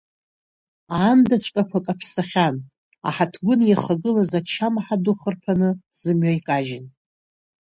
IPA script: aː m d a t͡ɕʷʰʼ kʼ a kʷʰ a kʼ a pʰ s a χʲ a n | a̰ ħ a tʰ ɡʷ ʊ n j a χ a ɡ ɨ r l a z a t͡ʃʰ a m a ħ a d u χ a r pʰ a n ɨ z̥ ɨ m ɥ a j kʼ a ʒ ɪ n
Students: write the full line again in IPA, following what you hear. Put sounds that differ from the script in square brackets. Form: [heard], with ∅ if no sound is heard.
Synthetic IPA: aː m d a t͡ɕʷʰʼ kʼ a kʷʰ a kʼ a pʰ s a χʲ a n | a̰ ħ a tʰ ɡʷ ʊ n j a χ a ɡ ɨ [∅] l a z a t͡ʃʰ a m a ħ a d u χ [ə] r pʰ a n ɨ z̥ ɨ m ɥ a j kʼ a ʒ ɪ n